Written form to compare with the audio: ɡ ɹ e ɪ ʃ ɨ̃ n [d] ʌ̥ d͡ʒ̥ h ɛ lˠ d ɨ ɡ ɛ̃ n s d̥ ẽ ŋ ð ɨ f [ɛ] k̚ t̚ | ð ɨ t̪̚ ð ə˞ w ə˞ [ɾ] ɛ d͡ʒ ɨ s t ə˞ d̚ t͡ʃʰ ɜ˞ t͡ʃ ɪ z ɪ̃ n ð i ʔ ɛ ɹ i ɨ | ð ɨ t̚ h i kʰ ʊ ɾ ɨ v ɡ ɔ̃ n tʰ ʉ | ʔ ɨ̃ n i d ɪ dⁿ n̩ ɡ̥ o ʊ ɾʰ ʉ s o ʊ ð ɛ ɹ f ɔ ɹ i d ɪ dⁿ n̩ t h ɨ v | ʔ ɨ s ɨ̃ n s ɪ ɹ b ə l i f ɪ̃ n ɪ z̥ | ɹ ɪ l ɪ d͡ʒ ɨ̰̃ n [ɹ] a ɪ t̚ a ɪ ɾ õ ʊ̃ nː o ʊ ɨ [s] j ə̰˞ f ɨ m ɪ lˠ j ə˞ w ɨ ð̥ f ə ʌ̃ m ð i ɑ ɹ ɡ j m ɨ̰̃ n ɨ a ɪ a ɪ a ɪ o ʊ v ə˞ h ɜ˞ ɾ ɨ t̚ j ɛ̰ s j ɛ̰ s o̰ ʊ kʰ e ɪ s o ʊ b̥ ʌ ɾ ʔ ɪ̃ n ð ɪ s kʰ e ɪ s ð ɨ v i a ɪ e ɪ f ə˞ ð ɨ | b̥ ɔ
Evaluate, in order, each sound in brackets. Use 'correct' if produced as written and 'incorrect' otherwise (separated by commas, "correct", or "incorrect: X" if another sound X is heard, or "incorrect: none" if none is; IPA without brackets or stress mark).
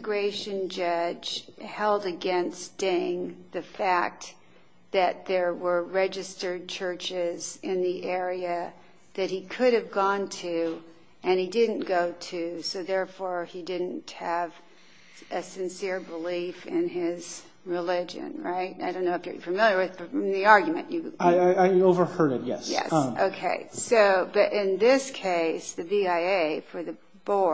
incorrect: d͡ʒ, incorrect: æ, incorrect: ɹ, correct, incorrect: f